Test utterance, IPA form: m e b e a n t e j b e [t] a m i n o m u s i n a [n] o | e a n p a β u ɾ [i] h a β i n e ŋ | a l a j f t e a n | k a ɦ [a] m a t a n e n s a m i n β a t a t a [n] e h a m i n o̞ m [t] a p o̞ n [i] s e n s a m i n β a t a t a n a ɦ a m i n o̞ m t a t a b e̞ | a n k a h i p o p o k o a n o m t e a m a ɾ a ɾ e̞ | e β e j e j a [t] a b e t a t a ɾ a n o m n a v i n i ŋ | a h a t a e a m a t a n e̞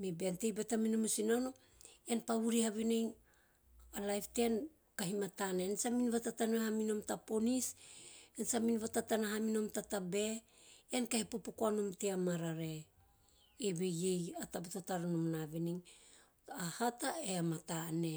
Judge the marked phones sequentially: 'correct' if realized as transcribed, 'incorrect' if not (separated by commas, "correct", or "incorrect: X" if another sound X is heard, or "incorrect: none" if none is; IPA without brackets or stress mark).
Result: correct, correct, correct, incorrect: i, correct, correct, correct, correct